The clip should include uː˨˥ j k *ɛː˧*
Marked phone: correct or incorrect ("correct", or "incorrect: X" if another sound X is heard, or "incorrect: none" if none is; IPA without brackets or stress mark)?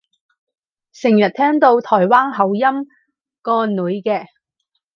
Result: correct